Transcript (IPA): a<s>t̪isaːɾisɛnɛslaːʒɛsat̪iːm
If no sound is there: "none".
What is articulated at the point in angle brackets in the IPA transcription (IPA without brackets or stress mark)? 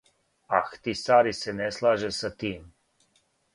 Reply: x